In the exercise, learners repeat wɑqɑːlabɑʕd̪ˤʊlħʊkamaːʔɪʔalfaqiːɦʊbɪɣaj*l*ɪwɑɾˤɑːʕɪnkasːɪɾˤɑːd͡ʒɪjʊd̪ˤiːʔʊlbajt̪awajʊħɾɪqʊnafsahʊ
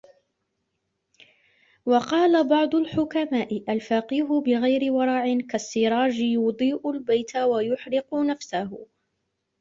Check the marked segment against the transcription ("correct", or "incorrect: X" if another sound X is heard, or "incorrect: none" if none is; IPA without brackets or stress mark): incorrect: ɾ